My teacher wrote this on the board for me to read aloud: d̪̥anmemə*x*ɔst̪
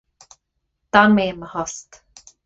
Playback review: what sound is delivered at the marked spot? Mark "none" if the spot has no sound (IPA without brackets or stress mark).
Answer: h